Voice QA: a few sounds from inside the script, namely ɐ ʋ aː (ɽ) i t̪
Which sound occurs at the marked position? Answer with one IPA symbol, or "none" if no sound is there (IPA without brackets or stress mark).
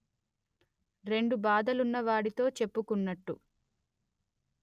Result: ɽ